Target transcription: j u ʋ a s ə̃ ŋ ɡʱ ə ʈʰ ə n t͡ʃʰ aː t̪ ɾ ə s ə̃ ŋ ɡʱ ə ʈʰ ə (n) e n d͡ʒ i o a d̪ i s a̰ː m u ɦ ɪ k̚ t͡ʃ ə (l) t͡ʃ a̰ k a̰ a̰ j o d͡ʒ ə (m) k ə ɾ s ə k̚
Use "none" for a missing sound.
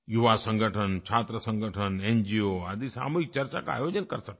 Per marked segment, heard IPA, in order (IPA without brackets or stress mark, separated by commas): n, ɾ, n